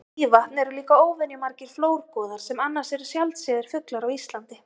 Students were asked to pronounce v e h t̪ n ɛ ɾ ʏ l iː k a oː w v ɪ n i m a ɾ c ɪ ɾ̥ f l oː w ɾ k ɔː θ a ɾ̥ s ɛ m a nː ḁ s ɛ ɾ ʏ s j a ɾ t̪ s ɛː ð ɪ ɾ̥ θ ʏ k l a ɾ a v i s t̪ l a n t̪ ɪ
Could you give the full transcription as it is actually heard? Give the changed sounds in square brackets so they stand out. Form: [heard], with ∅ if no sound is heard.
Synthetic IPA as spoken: v [a] h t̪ n ɛ ɾ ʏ l iː k a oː w v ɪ n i m a ɾ c ɪ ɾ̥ f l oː w ɾ k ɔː [ð] a ɾ̥ s ɛ m a nː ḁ s ɛ ɾ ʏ s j a [l] t̪ s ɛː ð ɪ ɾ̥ [f] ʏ k l a ɾ a [w] i s t̪ l a n t̪ ɪ